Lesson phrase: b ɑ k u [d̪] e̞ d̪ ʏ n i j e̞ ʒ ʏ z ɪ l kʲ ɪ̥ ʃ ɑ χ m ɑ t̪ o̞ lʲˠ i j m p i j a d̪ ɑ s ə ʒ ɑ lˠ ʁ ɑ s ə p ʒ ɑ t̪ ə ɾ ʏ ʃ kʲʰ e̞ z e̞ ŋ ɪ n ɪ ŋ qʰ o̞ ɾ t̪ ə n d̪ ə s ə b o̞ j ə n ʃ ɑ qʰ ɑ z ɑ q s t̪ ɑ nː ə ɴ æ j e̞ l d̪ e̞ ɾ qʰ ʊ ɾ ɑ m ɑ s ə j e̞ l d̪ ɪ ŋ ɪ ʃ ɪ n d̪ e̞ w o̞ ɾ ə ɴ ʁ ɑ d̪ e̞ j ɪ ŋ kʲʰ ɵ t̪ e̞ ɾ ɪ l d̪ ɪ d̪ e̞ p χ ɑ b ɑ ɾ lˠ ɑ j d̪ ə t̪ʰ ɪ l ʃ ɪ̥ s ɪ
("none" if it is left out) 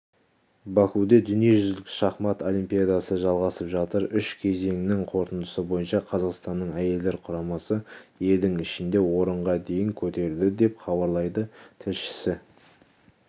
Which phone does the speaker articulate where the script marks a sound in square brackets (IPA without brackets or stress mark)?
d̪